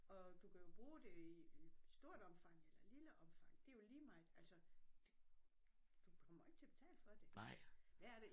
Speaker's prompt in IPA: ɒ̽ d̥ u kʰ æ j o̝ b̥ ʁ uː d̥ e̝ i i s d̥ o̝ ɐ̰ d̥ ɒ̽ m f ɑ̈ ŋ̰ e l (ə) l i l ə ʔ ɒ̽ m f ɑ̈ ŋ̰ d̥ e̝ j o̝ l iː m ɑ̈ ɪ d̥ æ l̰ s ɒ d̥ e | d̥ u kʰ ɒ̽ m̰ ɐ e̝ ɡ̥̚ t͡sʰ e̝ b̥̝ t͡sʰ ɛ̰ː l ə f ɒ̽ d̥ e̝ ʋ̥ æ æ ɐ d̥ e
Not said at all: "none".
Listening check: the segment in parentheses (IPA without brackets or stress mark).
ɐ